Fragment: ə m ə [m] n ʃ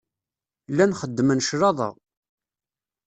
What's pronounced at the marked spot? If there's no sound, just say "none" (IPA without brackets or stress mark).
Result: none